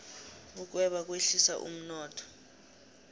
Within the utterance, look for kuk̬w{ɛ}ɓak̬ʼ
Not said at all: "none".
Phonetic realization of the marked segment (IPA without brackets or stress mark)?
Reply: ɛ